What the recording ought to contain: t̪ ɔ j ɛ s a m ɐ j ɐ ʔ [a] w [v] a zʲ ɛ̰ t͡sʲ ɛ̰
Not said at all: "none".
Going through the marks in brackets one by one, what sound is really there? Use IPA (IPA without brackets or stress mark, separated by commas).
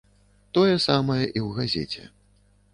i, ɣ